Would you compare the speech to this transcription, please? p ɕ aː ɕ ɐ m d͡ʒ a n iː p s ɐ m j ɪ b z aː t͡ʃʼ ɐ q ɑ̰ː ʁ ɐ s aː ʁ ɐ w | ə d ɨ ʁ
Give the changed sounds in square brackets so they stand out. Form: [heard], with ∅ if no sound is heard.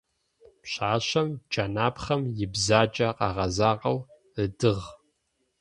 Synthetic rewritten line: p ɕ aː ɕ ɐ m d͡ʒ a n [aː] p [χ] ɐ m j ɪ b z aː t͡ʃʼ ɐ q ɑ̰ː ʁ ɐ [z] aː ʁ ɐ w | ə d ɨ ʁ